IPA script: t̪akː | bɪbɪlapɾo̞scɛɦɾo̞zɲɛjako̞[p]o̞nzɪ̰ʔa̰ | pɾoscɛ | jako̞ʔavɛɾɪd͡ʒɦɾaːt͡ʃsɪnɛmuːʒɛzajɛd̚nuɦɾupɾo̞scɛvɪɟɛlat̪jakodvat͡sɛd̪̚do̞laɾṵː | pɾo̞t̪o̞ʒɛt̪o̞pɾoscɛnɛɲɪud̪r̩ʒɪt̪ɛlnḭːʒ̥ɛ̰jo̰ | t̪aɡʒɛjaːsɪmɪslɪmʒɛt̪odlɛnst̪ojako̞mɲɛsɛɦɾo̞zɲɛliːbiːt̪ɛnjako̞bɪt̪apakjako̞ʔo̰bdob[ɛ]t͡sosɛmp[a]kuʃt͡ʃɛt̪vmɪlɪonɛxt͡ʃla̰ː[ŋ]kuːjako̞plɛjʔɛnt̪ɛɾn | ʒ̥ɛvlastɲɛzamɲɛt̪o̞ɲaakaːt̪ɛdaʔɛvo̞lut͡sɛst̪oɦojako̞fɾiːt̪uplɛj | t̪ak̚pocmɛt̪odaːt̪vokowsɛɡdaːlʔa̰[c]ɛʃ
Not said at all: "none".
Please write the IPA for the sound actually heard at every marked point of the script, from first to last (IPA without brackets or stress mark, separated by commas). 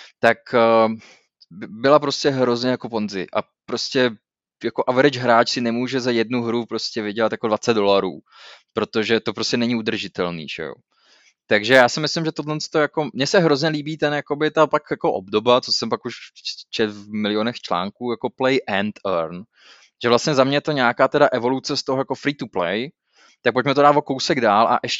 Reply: p, a, a, ŋ, ʔ